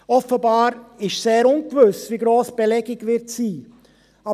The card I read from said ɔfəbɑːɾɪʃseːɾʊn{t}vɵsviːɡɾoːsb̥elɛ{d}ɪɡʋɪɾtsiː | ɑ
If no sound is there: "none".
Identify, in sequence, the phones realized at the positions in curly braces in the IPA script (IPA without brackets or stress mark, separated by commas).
k, ɡ